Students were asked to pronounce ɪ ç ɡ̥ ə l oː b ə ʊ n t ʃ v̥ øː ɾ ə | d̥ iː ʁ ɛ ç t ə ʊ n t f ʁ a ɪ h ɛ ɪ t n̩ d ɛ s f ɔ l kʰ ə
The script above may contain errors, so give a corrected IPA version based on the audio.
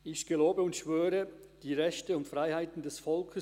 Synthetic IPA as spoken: ɪ ç ɡ̥ ə l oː b ə ʊ n t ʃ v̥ øː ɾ ə | d̥ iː ʁ ɛ ç t ə ʊ n t f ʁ a ɪ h a ɪ t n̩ d ɛ s f ɔ l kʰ ə